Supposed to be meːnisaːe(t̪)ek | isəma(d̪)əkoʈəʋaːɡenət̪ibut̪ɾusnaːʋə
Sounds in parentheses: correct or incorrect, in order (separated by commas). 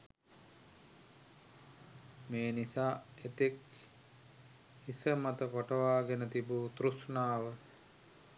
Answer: correct, incorrect